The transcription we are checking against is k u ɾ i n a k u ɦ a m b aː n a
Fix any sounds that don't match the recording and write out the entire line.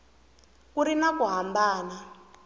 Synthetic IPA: k u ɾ i n a k u ɦ a m b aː n a